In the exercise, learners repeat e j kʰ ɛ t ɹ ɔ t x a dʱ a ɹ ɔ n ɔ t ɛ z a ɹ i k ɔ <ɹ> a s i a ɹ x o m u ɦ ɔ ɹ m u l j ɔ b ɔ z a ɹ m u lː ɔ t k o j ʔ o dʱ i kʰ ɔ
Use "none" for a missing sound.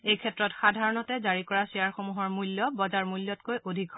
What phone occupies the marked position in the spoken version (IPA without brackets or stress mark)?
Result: ɹ